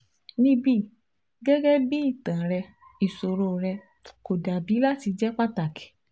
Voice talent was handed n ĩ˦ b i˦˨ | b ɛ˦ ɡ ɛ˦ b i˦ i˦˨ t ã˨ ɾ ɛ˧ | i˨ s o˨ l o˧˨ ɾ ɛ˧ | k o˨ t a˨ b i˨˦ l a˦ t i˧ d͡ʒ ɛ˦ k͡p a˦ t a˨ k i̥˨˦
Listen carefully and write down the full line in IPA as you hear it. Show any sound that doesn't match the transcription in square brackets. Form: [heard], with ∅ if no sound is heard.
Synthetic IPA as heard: n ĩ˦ b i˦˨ | [ɡ] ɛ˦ ɡ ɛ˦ b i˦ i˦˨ t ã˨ ɾ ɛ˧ | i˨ s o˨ [ɾ] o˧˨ ɾ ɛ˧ | k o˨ [d] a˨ b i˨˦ l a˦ t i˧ d͡ʒ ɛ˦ k͡p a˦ t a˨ k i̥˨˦